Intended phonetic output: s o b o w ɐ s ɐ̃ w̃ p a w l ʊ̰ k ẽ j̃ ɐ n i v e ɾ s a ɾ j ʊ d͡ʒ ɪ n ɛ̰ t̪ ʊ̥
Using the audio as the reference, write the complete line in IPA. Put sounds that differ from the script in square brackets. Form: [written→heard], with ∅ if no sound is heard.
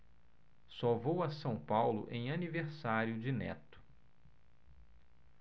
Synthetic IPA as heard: s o [b→v] o w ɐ s ɐ̃ w̃ p a w l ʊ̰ [k→ʔ] ẽ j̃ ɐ n i v e ɾ s a ɾ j ʊ d͡ʒ ɪ n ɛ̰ t̪ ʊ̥

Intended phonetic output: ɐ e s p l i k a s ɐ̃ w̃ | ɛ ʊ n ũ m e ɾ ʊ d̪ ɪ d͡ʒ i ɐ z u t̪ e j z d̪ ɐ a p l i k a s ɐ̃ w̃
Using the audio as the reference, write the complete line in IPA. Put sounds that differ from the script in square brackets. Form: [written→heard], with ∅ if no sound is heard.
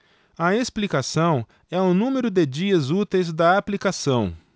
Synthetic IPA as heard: ɐ e s p l i k a s ɐ̃ w̃ | ɛ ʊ n ũ m e ɾ ʊ d̪ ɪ d͡ʒ i ɐ z u t̪ e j z d̪ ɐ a p l i k a s ɐ̃ w̃

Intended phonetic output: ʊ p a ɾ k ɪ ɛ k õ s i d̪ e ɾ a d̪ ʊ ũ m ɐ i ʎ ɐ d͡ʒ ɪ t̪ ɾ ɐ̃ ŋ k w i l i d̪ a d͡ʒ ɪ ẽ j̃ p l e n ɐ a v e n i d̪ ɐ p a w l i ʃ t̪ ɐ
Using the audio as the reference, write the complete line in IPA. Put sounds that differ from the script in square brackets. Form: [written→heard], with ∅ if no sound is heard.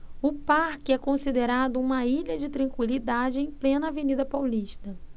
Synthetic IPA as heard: ʊ p a ɾ k ɪ ɛ k õ s i d̪ e ɾ a d̪ ʊ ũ m ɐ i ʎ ɐ d͡ʒ ɪ t̪ ɾ ɐ̃ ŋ k w i l i d̪ a d͡ʒ ɪ ẽ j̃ p l [e→ẽ] n ɐ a v e n i d̪ ɐ p a w l i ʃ t̪ ɐ

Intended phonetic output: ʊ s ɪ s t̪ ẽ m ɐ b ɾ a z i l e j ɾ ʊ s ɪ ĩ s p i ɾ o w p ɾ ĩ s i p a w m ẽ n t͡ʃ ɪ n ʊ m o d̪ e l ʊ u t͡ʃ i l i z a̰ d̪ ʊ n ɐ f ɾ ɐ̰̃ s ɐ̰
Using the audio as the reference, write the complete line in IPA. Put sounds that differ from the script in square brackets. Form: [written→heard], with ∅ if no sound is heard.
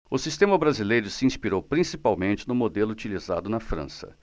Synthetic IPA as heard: ʊ s [ɪ→i] s t̪ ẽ m ɐ b ɾ a z i l e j ɾ ʊ s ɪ ĩ s p i ɾ o w p ɾ ĩ s i p a w m ẽ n t͡ʃ ɪ n ʊ m o d̪ e l ʊ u t͡ʃ i l i z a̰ d̪ ʊ n ɐ f ɾ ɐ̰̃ s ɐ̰

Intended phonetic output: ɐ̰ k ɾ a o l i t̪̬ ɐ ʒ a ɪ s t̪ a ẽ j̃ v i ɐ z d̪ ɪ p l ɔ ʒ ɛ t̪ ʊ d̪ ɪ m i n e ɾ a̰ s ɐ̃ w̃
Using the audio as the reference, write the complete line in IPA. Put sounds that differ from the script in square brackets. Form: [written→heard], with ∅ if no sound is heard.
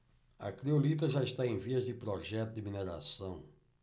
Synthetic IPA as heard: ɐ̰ k ɾ [a→i] o l i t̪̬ ɐ ʒ a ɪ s t̪ a ẽ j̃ v i ɐ z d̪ ɪ p [l→ɾ] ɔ ʒ ɛ t̪ ʊ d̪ ɪ m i n e ɾ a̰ s ɐ̃ w̃

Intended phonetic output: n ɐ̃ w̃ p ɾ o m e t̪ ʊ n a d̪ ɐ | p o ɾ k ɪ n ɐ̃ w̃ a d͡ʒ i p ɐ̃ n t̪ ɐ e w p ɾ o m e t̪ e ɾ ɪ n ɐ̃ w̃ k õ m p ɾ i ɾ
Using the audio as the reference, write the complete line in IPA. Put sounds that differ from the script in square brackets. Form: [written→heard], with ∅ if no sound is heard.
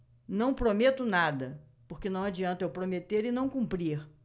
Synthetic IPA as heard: n ɐ̃ w̃ p ɾ o m e t̪ ʊ n a d̪ ɐ | p o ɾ k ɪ n ɐ̃ w̃ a d͡ʒ i [p→∅] ɐ̃ n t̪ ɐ e w p ɾ o m e t̪ e ɾ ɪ n ɐ̃ w̃ k [õ→ũ] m p ɾ i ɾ

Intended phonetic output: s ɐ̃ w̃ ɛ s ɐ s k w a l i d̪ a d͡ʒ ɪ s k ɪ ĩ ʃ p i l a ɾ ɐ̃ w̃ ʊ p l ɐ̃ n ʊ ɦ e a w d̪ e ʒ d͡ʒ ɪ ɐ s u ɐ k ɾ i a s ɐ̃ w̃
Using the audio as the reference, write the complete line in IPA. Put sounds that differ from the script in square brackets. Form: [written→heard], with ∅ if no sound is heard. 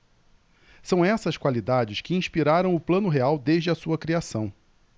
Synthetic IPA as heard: s ɐ̃ w̃ ɛ s ɐ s k w a l i d̪ a d͡ʒ ɪ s k ɪ ĩ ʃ p i [l→ɾ] a ɾ ɐ̃ w̃ ʊ p l ɐ̃ n ʊ ɦ e a w d̪ e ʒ d͡ʒ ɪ ɐ s u ɐ k ɾ i a s ɐ̃ w̃

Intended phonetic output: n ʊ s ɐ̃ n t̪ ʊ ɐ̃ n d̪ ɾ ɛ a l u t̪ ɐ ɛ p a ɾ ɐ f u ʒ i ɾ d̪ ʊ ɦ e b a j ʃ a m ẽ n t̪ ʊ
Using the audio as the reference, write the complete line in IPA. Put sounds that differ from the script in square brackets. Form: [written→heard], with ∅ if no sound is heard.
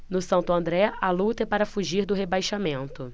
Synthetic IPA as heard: n ʊ s ɐ̃ n t̪ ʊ ɐ̃ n d̪ ɾ ɛ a l u t̪ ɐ ɛ p a ɾ ɐ f u ʒ i ɾ d̪ ʊ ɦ e b a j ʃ a m ẽ n t̪ ʊ

